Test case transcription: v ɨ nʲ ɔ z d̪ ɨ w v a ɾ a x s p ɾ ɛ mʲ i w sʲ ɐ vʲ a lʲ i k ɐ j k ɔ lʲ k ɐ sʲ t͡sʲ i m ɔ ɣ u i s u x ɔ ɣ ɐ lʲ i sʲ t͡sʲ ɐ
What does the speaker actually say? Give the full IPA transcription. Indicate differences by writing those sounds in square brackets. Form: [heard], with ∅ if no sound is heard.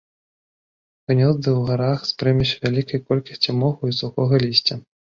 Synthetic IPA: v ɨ nʲ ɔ z d̪ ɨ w [ɣ] a ɾ a x s p ɾ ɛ mʲ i w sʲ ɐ vʲ a lʲ i k ɐ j k ɔ lʲ k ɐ sʲ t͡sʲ i m ɔ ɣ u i s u x ɔ ɣ ɐ lʲ i sʲ t͡sʲ ɐ